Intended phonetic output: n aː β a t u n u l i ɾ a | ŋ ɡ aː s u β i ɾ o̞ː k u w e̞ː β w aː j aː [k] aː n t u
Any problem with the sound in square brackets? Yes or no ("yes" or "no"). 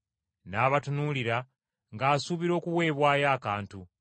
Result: no